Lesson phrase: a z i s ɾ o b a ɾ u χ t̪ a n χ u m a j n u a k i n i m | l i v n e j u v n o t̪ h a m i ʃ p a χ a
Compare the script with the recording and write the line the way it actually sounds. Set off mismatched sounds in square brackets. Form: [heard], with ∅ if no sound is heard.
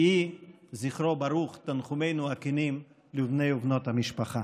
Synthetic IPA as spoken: [i] z i [χ] ɾ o b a ɾ u χ t̪ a n χ u m [e] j n u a k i n i m | l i v n e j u v n o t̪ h a m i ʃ p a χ a